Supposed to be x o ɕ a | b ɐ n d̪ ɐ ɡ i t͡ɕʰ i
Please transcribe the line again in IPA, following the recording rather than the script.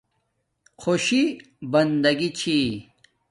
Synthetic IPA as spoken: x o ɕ i | b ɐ n d̪ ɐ ɡ i t͡ɕʰ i